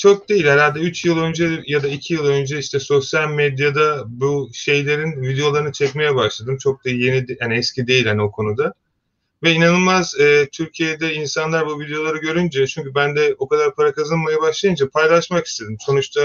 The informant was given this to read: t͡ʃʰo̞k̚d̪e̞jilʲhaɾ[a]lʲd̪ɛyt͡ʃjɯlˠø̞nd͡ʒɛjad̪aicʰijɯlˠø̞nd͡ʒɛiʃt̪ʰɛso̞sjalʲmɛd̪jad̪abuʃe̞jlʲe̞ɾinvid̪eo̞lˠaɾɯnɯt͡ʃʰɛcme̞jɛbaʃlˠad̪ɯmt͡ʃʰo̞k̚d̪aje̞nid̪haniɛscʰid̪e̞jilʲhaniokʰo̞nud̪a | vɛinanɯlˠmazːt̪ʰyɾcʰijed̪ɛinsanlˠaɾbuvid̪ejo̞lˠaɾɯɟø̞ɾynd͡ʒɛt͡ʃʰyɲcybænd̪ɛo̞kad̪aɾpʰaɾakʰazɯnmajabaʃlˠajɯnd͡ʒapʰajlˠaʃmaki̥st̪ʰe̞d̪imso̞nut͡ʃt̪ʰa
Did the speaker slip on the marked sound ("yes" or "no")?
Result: no